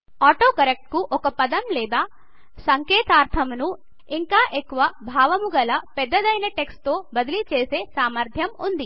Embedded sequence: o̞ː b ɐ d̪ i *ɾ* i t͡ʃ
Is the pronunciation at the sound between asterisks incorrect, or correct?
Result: incorrect